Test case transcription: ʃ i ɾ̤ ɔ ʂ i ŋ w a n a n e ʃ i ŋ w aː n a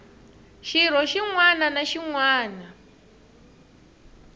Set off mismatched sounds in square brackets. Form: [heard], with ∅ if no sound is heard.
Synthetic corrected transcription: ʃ i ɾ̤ ɔ [ʃ] i ŋ w a n a n [a] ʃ i ŋ w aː n a